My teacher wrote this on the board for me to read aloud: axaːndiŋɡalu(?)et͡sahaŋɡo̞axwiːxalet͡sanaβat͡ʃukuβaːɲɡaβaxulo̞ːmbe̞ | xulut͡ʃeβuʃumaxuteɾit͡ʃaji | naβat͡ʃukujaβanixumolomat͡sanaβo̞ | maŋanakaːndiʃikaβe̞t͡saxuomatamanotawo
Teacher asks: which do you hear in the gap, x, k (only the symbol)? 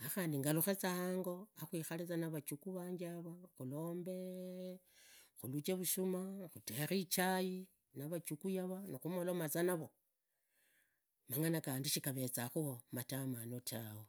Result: x